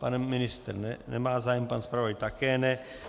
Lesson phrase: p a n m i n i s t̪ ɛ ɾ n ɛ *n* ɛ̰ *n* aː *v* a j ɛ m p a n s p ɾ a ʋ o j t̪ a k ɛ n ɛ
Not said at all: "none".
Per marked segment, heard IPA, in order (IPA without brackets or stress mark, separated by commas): n, m, z